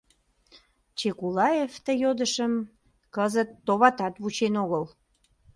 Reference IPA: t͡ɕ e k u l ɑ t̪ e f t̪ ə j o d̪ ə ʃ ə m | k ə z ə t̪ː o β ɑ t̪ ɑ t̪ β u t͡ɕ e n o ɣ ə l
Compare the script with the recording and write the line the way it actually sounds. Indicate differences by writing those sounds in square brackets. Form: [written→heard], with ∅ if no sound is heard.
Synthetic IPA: t͡ɕ e k u l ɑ [t̪→∅] e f t̪ ə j o d̪ ə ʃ ə m | k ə z ə t̪ː o β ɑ t̪ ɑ t̪ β u t͡ɕ e n o ɣ ə l

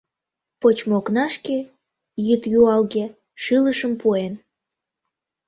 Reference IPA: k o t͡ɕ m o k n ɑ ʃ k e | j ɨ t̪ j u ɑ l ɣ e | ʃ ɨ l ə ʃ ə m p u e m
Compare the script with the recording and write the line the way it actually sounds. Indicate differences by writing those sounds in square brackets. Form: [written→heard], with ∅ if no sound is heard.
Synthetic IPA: [k→p] o t͡ɕ m o k n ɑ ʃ k e | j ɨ t̪ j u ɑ l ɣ e | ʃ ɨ l ə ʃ ə m p u e [m→n]

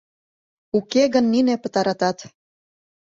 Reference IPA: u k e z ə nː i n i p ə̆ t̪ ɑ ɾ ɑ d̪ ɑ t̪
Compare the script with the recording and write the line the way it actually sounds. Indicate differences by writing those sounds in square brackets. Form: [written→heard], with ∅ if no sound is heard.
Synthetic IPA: u k e [z→ɣ] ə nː i n [i→e] p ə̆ t̪ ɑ ɾ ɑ [d̪→t̪] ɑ t̪

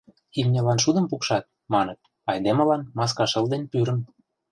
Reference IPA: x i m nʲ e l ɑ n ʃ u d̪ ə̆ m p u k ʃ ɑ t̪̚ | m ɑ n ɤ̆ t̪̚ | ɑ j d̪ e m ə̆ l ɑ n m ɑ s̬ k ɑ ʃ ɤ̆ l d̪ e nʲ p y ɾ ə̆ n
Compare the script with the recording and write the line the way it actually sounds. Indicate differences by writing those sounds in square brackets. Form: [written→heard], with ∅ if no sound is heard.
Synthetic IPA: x i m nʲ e l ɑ n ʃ u d̪ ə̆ m p u k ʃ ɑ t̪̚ | m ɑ n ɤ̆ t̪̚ | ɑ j d̪ e m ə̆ l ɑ n m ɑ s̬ k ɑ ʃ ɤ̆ l d̪ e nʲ p y ɾ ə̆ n

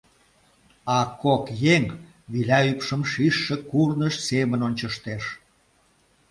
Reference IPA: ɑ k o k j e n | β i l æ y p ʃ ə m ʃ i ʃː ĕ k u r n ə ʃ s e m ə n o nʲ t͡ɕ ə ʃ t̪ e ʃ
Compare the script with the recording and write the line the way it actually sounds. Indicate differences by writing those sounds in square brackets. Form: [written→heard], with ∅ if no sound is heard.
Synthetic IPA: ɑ k o k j e [n→ŋ] | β i l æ y p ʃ ə m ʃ i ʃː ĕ k u r n ə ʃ s e m ə n o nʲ t͡ɕ ə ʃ t̪ e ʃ

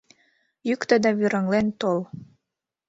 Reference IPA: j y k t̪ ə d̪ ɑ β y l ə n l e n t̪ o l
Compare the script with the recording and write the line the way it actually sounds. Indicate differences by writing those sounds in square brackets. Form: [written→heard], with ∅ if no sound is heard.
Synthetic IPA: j y k t̪ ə d̪ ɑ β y [l→ɾ] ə [n→ŋ] l e n t̪ o l

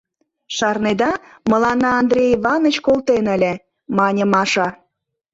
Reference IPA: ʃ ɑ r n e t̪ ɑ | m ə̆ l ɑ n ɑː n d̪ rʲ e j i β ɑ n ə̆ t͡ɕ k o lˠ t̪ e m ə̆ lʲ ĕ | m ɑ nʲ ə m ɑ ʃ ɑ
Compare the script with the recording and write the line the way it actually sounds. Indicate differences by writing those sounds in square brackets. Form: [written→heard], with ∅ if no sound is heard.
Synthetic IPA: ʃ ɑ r n e [t̪→d̪] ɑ | m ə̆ l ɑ n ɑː n d̪ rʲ e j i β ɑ n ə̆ t͡ɕ k o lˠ t̪ e [m→n] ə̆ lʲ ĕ | m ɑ nʲ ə m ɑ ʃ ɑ

